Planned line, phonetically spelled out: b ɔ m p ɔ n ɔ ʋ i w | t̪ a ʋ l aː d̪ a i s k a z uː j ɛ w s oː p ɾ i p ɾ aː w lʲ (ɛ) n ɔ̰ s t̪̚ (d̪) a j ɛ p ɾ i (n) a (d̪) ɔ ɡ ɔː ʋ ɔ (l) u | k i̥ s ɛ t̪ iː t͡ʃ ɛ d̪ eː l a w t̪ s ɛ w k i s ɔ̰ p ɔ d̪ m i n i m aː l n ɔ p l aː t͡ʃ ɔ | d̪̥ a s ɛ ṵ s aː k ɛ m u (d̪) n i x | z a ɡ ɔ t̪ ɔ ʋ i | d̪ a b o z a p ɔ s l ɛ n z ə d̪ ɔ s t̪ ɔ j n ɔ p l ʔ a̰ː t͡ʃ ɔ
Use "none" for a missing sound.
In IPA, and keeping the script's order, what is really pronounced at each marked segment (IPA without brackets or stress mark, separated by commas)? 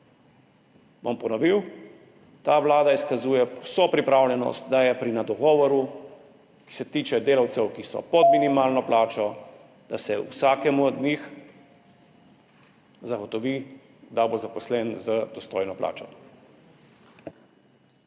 ɛ, d̪, n, d̪, ɾ, d̪